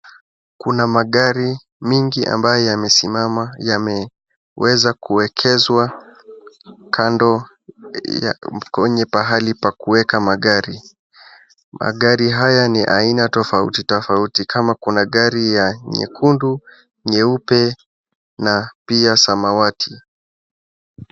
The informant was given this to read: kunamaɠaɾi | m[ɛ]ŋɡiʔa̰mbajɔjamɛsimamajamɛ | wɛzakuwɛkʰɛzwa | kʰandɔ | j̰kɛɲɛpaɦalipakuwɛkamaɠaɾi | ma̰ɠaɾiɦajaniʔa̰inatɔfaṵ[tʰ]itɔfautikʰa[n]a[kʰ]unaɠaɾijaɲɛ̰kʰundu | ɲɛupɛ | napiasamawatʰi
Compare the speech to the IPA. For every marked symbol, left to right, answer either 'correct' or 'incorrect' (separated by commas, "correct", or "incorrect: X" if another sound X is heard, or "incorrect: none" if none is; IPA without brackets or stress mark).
incorrect: i, incorrect: t, incorrect: m, incorrect: k